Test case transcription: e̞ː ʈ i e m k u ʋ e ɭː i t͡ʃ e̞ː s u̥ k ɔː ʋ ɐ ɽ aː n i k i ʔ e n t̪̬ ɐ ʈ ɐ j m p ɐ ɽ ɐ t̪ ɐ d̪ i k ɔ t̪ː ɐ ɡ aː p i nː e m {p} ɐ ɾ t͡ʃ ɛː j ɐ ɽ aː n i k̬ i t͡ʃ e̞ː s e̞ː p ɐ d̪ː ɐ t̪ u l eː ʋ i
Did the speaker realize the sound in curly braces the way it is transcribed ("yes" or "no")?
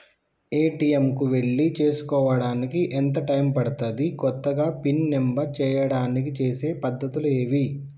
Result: no